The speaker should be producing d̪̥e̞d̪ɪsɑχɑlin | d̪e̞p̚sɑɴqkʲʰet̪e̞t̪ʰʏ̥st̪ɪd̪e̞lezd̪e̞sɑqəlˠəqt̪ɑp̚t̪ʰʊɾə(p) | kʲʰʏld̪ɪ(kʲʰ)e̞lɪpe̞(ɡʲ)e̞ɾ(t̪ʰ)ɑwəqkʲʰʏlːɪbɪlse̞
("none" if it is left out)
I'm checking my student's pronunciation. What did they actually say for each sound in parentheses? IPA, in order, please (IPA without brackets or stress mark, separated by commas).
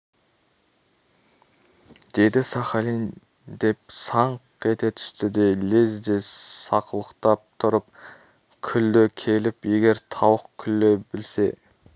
p, kʲʰ, ɡʲ, t̪ʰ